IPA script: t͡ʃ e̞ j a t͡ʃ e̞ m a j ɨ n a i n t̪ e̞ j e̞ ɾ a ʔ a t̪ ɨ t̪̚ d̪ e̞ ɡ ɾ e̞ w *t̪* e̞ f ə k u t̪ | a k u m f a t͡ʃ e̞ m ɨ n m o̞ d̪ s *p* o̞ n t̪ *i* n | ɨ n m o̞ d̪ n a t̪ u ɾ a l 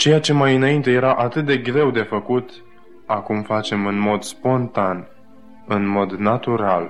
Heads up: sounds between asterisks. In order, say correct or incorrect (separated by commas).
incorrect, correct, incorrect